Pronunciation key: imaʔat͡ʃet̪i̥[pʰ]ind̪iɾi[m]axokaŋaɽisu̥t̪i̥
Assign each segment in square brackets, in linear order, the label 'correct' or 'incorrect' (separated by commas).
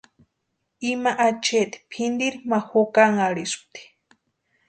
correct, correct